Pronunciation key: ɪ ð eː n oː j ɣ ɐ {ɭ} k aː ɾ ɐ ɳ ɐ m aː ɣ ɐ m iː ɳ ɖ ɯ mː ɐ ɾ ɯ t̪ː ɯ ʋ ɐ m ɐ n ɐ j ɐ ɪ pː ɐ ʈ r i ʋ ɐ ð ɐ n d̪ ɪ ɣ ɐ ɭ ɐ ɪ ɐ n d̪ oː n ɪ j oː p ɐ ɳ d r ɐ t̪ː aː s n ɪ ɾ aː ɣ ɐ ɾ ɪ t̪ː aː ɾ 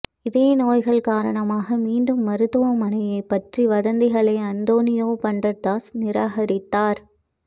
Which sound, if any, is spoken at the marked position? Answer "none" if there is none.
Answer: ɭ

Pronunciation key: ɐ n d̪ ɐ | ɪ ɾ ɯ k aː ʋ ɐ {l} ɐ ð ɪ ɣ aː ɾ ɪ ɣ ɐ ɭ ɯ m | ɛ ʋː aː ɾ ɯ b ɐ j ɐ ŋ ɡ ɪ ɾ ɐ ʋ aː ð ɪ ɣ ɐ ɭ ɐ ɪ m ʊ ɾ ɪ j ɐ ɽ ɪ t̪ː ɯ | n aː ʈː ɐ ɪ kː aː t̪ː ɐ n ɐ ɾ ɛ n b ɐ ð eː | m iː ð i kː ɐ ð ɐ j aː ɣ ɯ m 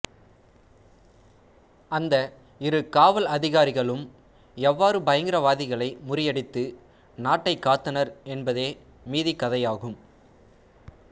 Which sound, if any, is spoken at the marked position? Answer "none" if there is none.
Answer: l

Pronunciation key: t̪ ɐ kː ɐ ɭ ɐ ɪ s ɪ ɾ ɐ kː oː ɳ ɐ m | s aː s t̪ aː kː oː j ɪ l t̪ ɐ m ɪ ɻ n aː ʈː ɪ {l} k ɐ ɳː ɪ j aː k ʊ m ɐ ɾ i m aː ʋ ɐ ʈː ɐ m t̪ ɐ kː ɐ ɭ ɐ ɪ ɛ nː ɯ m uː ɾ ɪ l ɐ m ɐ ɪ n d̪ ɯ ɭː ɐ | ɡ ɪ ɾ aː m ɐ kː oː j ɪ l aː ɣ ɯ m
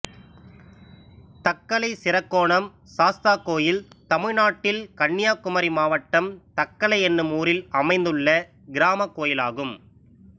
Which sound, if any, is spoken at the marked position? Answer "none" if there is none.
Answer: l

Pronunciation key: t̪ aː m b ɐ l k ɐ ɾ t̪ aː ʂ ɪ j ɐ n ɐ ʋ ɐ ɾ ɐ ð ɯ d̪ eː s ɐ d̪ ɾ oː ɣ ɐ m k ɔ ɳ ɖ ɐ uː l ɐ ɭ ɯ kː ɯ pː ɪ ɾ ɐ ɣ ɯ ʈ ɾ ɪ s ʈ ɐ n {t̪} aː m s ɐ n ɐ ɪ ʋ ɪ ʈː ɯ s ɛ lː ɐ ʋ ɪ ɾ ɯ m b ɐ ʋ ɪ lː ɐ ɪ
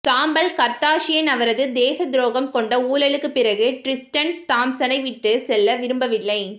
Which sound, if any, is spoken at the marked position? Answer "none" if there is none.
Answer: t̪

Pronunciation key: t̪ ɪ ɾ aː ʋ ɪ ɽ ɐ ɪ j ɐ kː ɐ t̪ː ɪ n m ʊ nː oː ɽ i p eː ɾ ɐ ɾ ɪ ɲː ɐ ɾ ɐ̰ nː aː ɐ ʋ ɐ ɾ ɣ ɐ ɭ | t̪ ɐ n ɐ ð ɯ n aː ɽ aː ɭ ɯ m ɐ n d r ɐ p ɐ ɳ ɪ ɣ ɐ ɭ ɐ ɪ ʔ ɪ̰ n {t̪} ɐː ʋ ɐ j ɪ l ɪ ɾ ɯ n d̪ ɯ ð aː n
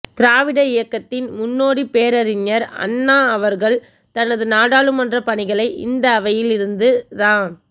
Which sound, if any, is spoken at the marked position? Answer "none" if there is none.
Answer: d̪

